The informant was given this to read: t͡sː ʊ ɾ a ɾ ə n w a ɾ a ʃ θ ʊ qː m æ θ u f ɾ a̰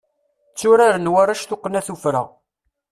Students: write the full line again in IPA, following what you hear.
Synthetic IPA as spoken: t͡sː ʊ ɾ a ɾ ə n w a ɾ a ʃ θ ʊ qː n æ θ u f ɾ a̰